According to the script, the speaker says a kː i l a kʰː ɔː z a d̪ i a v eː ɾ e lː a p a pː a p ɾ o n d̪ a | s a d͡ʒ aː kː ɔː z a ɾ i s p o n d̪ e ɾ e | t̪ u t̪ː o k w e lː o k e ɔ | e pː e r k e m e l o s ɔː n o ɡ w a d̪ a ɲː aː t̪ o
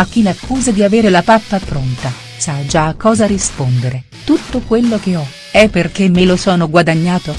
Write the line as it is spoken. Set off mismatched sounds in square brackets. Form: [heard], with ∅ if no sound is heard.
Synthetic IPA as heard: a kː i l a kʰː [uː] z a d̪ i a v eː ɾ e [l] a p a pː a p ɾ o n [t̪] a | s a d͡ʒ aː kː ɔː z a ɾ i s p o n d̪ e ɾ e | t̪ u t̪ː o k w e lː o k e ɔ | [ɛ] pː e r k e m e l o s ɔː n o ɡ w a d̪ a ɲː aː t̪ o